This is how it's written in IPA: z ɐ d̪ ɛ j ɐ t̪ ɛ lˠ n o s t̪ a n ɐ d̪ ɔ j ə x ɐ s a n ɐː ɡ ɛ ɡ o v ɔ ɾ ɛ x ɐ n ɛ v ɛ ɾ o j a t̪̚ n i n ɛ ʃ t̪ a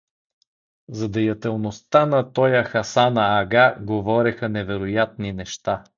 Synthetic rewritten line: z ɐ d̪ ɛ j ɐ t̪ ɛ lˠ n o s t̪ a n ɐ t̪ ɔ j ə x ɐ s a n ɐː ɡ a ɡ o v ɔ ɾ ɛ x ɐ n ɛ v ɛ ɾ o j a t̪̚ n i n ɛ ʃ t̪ a